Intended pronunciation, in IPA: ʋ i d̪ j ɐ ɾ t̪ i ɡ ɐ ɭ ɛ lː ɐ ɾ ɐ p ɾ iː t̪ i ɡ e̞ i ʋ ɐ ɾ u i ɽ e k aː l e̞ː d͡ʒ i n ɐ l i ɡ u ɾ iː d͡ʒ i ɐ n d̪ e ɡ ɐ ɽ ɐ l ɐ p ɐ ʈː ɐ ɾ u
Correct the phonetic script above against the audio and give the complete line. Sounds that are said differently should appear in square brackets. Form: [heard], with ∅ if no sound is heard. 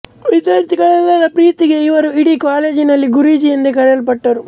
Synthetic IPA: ʋ i d̪ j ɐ ɾ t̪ i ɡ ɐ ɭ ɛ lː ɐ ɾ ɐ p ɾ iː t̪ i ɡ e̞ i ʋ ɐ ɾ u i ɽ [i] k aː l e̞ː d͡ʒ i n ɐ [lː] i ɡ u ɾ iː d͡ʒ i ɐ n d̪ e [k] ɐ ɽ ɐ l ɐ p ɐ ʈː ɐ ɾ u